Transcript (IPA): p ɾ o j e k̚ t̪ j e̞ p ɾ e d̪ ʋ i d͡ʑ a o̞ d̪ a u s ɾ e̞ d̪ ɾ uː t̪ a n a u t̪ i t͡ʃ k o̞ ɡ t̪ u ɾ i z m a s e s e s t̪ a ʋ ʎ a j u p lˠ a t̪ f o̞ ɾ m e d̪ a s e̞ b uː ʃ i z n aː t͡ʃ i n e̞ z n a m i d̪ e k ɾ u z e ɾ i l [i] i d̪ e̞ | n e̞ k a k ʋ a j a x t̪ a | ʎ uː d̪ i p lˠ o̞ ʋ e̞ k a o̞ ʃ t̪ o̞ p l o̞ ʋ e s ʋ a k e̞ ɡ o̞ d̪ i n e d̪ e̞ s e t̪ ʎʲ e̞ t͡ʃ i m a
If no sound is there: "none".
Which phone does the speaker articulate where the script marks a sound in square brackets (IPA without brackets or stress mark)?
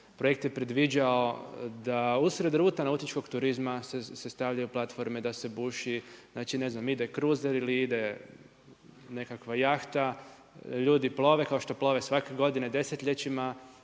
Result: i